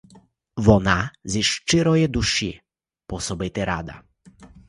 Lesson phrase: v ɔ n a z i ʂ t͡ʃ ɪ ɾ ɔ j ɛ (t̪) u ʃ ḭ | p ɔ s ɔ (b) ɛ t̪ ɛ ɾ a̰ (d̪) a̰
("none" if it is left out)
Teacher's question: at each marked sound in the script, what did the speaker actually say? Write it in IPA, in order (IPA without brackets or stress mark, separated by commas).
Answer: d̪, b, d̪